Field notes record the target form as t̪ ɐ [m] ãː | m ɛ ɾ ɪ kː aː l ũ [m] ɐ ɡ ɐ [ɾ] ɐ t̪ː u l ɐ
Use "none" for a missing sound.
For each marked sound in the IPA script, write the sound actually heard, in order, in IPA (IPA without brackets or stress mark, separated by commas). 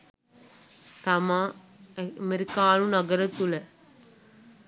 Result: m, n, ɾ